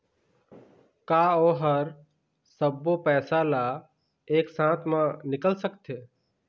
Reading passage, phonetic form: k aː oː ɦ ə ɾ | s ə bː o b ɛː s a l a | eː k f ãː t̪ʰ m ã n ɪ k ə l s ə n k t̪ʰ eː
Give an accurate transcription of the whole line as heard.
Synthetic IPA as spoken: k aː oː ɦ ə ɾ | s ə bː o p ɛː s a l a | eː k s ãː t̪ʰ m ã n ɪ k ə l s ə k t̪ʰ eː